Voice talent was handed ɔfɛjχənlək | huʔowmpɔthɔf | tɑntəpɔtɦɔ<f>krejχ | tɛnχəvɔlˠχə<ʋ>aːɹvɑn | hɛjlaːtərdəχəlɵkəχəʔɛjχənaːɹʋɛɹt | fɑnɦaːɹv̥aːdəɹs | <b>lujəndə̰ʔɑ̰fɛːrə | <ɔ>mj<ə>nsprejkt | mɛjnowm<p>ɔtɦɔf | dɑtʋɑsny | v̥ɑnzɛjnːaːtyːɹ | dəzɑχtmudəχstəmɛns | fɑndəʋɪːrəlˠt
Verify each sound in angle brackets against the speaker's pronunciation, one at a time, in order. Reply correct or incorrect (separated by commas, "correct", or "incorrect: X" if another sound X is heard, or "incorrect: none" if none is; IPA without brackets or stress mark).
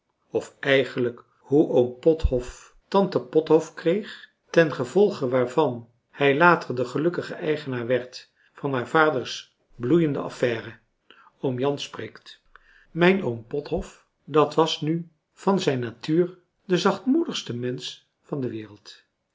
correct, correct, correct, incorrect: o, incorrect: ɑ, correct